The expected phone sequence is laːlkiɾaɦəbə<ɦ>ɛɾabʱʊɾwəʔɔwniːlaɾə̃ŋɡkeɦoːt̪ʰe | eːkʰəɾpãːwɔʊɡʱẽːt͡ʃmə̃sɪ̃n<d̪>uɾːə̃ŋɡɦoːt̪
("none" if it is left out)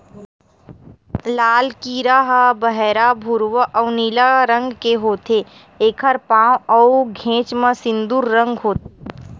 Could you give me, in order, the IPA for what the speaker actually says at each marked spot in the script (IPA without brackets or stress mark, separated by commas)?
ɦ, d̪